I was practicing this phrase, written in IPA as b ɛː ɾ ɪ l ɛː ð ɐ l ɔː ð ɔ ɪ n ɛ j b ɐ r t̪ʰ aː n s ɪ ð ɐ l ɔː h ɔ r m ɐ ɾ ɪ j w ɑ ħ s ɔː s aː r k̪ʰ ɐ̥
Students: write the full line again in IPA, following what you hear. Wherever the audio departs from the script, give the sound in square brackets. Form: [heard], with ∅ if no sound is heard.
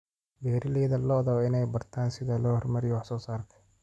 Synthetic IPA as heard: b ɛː ɾ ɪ l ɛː ð ɐ l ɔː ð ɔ ɪ n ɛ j b ɐ r t̪ʰ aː n s ɪ ð ɐ l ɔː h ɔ r m ɐ ɾ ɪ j w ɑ ħ s ɔː s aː r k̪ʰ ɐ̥